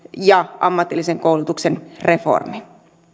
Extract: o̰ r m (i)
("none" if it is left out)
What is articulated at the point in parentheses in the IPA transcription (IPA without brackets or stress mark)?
i